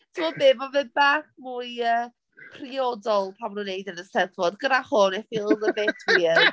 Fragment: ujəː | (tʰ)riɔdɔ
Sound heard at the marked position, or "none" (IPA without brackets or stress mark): pʰ